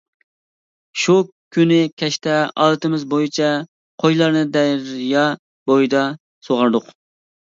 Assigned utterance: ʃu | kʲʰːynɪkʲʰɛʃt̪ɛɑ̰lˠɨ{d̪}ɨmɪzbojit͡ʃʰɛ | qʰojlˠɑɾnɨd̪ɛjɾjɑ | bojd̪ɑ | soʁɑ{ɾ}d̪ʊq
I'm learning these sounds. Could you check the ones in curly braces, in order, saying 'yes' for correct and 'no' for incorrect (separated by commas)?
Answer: no, yes